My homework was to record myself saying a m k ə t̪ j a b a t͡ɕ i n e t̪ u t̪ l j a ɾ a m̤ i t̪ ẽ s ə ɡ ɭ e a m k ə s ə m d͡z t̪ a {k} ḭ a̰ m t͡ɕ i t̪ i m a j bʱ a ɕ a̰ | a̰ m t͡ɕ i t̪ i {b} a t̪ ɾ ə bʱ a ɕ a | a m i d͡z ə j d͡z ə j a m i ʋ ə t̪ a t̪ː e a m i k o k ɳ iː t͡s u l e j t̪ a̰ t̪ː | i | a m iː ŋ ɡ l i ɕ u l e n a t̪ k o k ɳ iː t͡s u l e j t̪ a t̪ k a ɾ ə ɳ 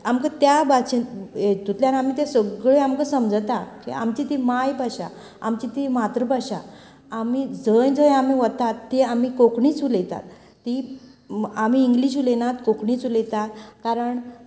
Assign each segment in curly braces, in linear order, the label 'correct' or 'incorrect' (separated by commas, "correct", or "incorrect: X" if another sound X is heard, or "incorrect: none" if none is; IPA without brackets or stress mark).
correct, incorrect: m